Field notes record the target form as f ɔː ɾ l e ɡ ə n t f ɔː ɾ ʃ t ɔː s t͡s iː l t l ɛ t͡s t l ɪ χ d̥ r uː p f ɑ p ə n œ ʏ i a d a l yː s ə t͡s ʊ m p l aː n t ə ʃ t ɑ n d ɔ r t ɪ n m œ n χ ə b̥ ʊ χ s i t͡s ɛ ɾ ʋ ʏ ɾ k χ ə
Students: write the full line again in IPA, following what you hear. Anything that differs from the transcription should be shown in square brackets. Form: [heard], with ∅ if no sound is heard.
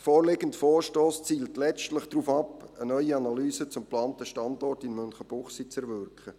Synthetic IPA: f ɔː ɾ l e ɡ ə n t f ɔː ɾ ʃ t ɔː s t͡s iː l t l ɛ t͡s t l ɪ χ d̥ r uː [∅] f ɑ p ə n œ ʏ i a [n] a l yː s ə t͡s ʊ m p l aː n t ə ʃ t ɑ n d ɔ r t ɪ n m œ n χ ə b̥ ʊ χ s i t͡s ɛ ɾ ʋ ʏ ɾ k χ ə